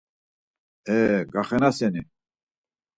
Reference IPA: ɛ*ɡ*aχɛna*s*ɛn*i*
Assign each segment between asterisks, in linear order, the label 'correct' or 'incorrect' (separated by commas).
correct, correct, correct